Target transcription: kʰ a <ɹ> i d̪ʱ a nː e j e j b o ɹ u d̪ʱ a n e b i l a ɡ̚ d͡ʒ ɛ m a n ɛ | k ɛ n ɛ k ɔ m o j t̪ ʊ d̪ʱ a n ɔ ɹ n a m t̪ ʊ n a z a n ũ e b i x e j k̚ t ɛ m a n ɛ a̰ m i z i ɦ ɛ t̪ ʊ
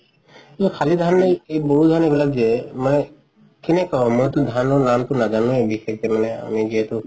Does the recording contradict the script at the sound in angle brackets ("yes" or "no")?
yes